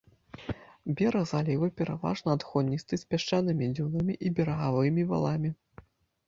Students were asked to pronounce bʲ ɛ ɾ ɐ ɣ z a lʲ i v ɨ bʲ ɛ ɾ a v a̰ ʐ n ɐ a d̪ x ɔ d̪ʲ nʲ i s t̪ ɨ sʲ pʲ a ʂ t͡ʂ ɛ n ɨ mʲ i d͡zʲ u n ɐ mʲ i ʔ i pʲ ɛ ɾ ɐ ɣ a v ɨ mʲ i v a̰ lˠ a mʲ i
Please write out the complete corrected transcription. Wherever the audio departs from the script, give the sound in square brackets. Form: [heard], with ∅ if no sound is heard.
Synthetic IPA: bʲ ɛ ɾ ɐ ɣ z a lʲ i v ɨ [pʲ] ɛ ɾ a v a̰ ʐ n ɐ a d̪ x ɔ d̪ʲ nʲ i s t̪ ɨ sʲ pʲ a ʂ t͡ʂ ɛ n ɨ mʲ i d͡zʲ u n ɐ mʲ i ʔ i [bʲ] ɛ ɾ ɐ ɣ a v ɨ mʲ i v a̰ lˠ a mʲ i